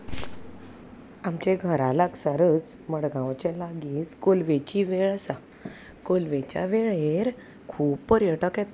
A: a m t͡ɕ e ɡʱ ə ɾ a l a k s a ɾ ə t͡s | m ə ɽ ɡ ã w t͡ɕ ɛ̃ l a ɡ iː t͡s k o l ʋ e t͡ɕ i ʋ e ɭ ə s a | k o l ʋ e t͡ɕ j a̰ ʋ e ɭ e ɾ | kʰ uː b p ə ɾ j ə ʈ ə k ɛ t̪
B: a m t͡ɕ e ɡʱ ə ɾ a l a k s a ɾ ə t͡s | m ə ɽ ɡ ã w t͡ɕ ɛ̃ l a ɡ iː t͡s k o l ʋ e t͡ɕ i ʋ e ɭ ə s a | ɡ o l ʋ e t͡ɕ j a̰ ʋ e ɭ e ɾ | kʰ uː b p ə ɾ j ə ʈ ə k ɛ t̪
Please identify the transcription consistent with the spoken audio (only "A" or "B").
A